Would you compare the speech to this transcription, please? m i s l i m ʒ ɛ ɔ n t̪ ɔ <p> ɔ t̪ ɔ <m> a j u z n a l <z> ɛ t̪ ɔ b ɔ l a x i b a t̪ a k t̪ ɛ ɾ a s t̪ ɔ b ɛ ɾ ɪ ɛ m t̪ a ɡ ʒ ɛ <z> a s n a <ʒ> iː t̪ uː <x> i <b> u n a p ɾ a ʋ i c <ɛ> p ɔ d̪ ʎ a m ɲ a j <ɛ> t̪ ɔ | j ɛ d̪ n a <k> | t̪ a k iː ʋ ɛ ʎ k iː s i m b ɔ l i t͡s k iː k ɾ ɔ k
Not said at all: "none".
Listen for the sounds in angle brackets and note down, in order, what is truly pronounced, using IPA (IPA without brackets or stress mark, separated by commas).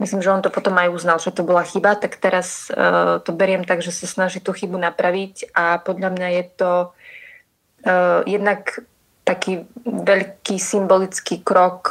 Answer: p, m, ʒ, s, ʒ, x, b, a, ɛ, k